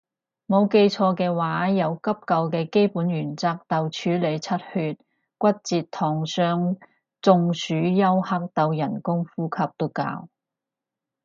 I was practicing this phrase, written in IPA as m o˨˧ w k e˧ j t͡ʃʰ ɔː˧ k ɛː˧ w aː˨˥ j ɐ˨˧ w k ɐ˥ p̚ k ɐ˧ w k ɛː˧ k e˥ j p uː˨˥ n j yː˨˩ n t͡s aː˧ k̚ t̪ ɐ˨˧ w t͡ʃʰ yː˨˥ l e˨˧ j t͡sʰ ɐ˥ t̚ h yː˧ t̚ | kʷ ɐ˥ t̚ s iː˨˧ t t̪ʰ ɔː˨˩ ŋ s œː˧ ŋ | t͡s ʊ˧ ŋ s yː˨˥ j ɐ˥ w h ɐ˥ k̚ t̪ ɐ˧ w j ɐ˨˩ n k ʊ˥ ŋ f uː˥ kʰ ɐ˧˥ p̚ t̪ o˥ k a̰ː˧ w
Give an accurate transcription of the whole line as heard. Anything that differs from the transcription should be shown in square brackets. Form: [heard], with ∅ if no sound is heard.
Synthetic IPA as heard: m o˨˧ w k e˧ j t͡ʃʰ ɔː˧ k ɛː˧ w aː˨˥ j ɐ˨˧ w k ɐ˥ p̚ k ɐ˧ w k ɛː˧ k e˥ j p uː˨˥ n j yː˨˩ n t͡s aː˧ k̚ t̪ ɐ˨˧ w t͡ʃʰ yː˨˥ l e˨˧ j t͡sʰ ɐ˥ t̚ h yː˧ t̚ | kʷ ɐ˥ t̚ [t͡s] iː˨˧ t t̪ʰ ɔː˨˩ ŋ s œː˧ ŋ | t͡s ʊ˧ ŋ s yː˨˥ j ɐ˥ w h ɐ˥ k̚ t̪ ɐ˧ w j ɐ˨˩ n k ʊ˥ ŋ f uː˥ kʰ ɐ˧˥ p̚ t̪ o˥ k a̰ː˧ w